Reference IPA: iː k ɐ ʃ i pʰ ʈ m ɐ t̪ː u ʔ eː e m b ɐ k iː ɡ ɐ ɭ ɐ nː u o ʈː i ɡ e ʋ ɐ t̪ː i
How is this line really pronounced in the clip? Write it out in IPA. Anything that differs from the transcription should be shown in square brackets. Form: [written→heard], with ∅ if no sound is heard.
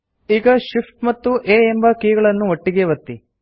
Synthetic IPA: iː [k→ɡ] ɐ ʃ i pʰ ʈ m ɐ t̪ː u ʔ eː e m b ɐ k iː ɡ ɐ ɭ ɐ nː u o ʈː i ɡ e ʋ ɐ t̪ː i